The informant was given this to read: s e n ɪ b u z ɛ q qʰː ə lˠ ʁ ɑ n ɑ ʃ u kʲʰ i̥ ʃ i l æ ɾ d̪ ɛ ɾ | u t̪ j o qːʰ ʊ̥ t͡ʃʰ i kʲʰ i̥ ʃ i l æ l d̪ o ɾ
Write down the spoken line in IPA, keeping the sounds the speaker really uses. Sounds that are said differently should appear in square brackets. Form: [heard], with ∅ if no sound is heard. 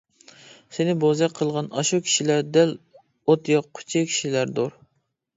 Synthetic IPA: s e n ɪ b [o] z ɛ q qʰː ə lˠ ʁ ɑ n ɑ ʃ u kʲʰ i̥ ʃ i l æ ɾ d̪ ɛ [l] | [o] t̪ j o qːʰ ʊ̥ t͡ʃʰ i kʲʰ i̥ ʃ i l æ [ɾ] d̪ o ɾ

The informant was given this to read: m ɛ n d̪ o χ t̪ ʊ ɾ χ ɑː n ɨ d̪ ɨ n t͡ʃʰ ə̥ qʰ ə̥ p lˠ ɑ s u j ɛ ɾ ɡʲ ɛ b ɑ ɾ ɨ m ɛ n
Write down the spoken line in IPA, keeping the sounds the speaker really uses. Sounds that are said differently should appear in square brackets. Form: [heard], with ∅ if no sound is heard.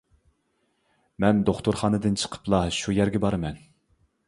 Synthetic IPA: m ɛ n d̪ o χ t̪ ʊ ɾ χ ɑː n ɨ d̪ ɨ n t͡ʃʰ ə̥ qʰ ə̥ p lˠ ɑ [ʃ] u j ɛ ɾ ɡʲ ɛ b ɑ ɾ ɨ m ɛ n

